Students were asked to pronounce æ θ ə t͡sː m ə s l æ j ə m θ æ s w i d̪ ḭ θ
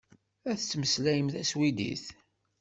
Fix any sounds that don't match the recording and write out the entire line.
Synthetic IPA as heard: æ θ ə t͡sː m ə s l æ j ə m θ æ s w i d̪ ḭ θ